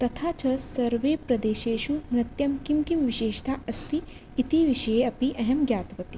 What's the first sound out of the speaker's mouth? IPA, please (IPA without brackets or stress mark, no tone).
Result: t̪